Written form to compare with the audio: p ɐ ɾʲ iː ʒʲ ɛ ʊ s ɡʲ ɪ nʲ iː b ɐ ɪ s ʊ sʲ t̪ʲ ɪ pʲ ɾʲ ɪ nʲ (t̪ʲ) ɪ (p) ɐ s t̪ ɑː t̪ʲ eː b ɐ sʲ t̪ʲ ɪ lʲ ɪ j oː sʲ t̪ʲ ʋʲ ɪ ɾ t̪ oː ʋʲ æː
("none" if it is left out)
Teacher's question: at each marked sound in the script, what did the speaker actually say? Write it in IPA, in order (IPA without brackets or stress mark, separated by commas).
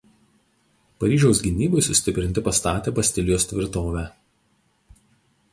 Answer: t̪ʲ, p